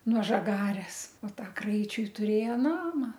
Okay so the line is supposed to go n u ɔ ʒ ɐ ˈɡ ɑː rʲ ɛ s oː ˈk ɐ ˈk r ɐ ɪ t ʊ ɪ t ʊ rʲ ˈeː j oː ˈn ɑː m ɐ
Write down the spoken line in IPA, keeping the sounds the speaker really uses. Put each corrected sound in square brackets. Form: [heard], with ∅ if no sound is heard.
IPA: n u ɔ ʒ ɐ ˈɡ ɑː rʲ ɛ s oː [ˈt] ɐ ˈk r ɐ ɪ [t͡ʃʲ] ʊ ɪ t ʊ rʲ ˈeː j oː ˈn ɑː m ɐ